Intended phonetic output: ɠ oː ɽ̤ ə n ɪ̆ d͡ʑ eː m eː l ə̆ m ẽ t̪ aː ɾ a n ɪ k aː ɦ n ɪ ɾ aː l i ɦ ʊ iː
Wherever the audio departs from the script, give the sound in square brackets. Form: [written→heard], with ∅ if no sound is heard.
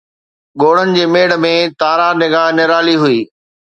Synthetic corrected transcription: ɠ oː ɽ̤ ə n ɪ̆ d͡ʑ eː m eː [l→ɽ] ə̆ m ẽ t̪ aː ɾ a n ɪ [k→ɡ] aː ɦ n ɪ ɾ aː l i ɦ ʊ iː